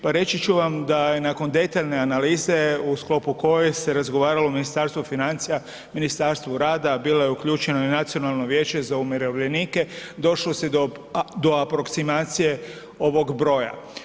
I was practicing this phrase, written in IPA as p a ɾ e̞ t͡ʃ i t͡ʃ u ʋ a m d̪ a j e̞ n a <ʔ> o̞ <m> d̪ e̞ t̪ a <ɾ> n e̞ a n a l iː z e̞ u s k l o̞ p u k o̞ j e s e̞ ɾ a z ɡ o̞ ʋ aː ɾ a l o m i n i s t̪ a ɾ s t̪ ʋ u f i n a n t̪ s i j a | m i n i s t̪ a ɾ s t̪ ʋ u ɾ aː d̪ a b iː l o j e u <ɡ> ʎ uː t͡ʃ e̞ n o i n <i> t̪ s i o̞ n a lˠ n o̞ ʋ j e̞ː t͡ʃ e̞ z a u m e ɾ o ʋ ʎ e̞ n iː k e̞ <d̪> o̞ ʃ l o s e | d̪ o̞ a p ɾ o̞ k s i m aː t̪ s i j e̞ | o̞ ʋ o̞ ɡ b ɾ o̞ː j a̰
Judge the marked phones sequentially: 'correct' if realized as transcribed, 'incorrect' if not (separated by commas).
incorrect, incorrect, incorrect, incorrect, incorrect, correct